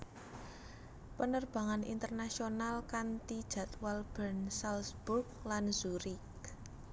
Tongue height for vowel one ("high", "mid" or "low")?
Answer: mid